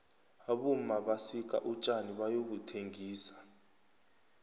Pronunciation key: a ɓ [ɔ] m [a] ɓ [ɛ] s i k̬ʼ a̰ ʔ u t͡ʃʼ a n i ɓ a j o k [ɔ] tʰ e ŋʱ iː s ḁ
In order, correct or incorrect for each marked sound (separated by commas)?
incorrect, correct, incorrect, incorrect